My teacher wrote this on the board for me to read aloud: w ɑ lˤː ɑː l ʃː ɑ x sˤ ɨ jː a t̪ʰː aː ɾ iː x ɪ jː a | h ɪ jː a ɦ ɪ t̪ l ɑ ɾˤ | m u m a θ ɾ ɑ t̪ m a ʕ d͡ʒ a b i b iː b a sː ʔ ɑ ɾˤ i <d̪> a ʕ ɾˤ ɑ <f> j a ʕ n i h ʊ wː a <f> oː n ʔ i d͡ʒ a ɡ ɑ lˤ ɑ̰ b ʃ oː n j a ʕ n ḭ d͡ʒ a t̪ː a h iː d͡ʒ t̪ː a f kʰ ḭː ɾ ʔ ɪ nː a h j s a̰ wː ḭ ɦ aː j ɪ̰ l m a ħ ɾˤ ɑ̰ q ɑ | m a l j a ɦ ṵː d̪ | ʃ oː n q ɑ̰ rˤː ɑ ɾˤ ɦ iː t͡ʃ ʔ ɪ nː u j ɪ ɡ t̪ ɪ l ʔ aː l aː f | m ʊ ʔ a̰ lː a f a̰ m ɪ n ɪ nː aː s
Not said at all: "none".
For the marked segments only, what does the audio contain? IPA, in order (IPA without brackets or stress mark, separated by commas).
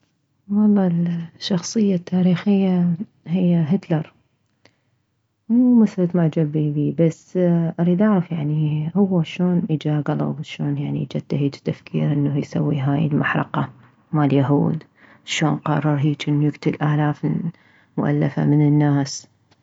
d̪, f, ʃ